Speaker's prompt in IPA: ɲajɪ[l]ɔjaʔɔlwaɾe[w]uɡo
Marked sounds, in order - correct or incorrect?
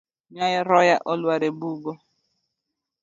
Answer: incorrect, incorrect

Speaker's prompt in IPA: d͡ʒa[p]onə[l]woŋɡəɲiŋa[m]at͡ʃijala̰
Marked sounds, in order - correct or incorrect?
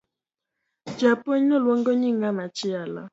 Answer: correct, correct, correct

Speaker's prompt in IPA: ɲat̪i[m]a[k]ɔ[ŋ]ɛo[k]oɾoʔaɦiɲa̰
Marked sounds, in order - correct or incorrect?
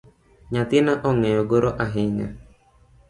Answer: incorrect, incorrect, correct, incorrect

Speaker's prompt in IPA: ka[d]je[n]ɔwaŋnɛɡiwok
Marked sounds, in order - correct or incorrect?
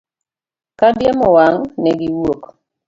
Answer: correct, incorrect

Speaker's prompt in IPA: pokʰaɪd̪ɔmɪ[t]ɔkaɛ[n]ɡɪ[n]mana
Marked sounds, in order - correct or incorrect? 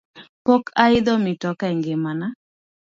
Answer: correct, incorrect, incorrect

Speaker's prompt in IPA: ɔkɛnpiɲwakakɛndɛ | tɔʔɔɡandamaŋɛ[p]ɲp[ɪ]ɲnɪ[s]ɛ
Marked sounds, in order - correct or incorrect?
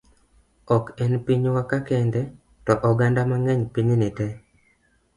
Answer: incorrect, incorrect, incorrect

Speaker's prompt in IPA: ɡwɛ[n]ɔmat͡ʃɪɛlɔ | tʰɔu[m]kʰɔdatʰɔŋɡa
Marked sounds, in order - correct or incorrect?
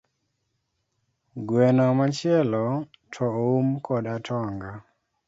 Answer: correct, correct

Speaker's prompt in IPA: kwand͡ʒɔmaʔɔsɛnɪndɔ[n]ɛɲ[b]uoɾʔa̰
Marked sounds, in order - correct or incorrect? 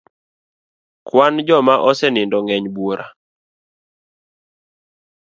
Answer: incorrect, correct

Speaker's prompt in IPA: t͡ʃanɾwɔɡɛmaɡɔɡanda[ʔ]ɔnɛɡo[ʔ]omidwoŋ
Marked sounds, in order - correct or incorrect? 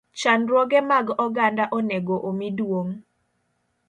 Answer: correct, correct

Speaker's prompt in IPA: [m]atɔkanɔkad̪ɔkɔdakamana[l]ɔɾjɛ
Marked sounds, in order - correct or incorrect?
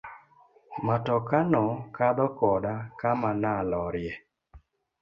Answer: correct, correct

